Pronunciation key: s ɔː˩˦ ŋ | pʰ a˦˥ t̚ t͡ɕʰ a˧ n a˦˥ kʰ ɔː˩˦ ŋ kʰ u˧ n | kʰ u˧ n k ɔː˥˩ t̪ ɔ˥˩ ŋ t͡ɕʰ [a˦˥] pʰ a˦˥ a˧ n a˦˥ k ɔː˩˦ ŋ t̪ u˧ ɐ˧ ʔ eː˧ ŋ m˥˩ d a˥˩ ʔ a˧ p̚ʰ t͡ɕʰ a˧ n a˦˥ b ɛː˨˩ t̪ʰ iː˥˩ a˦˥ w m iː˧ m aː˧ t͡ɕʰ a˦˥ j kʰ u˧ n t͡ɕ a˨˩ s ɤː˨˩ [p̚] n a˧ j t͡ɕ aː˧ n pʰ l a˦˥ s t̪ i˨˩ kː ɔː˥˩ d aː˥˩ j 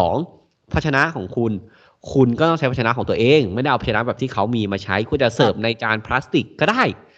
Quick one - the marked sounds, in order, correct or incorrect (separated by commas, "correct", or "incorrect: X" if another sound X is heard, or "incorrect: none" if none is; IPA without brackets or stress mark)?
correct, correct